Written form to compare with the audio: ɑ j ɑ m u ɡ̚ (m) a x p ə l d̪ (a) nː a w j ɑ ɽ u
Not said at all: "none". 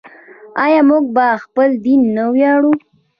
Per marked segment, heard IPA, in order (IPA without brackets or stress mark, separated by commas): b, i